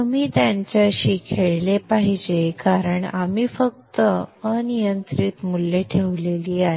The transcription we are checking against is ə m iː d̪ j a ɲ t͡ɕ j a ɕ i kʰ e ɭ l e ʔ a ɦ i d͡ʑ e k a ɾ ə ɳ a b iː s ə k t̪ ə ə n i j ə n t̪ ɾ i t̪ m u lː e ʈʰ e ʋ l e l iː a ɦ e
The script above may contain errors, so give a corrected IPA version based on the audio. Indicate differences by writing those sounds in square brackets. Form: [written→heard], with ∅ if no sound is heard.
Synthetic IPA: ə m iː [d̪→t̪] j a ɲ t͡ɕ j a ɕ i kʰ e ɭ l e [ʔ→p] a ɦ i d͡ʑ e k a ɾ ə ɳ a [b→m] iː [s→f] ə k t̪ ə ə n i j ə n t̪ ɾ i t̪ m u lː e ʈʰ e ʋ l e l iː a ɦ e